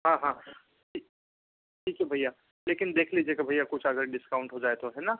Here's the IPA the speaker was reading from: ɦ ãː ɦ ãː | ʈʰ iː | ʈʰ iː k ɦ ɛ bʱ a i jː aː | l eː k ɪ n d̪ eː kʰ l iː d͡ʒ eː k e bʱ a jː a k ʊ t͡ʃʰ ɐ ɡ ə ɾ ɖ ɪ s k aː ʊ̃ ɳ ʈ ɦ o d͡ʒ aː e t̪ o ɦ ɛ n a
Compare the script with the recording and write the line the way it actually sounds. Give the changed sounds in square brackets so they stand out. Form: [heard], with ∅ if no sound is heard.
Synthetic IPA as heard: ɦ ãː ɦ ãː | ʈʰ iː | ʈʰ iː k ɦ ɛ bʱ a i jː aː | l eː k ɪ n d̪ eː kʰ l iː d͡ʒ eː k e bʱ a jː a k ʊ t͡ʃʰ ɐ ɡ ə ɾ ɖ ɪ s k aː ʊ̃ ɳ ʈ ɦ o d͡ʒ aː e t̪ o ɦ ɛ n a